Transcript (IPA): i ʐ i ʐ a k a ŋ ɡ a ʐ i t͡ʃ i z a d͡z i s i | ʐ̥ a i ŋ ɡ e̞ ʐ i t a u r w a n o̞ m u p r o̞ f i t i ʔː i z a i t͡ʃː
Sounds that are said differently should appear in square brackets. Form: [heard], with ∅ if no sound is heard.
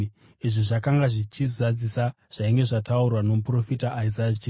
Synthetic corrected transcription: i ʐ i ʐ a k a ŋ ɡ a ʐ i t͡ʃ i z a d͡z i s [a] | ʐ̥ a i ŋ ɡ e̞ ʐ [a] t a u r w a n o̞ m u p r o̞ f i t [a] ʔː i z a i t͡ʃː